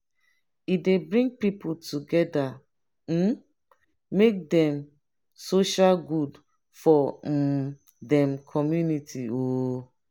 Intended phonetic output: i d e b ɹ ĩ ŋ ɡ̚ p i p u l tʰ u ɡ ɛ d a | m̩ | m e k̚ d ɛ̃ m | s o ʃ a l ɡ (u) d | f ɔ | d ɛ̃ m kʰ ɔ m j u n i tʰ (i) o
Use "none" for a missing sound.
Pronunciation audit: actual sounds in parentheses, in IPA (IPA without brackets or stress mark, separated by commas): u, i